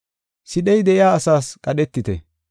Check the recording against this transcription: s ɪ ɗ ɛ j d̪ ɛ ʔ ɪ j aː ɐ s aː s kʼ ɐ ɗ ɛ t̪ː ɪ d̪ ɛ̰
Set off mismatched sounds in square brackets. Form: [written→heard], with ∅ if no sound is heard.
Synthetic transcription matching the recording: s ɪ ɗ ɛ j d̪ ɛ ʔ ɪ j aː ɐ s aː s kʼ ɐ ɗ ɛ t̪ː ɪ [d̪→t̪] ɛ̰